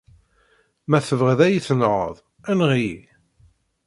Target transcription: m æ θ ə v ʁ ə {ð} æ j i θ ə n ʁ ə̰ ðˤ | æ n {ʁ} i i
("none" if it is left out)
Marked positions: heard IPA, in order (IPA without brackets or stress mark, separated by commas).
ð, ʁ